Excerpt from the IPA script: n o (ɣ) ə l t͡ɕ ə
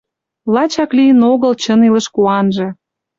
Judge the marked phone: correct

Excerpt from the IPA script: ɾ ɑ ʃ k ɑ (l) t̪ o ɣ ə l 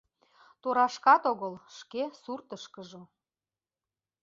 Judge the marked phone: incorrect: none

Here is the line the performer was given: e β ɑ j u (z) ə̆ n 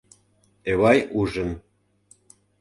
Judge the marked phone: incorrect: ʒ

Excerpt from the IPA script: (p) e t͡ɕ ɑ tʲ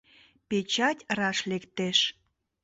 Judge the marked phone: correct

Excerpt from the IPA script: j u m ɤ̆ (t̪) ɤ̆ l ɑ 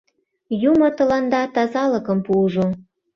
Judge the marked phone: correct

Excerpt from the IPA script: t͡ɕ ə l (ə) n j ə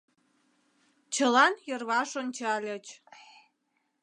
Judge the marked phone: incorrect: ɑ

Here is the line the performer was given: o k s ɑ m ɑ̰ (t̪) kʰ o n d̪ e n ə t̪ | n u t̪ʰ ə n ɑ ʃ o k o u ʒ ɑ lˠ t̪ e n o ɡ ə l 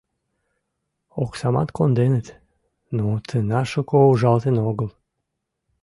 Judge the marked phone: correct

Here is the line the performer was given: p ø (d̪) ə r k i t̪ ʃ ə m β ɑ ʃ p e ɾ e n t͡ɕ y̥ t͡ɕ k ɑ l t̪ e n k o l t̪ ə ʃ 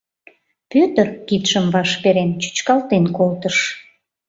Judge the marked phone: incorrect: t̪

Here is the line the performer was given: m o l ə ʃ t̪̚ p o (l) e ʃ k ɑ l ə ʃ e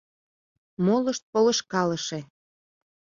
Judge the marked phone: correct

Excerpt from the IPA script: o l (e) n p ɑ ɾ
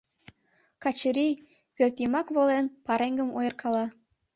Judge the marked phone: correct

